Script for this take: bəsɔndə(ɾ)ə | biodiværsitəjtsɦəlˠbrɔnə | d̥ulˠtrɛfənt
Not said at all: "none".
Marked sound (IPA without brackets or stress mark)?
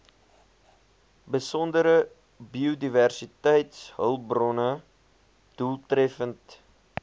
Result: ɾ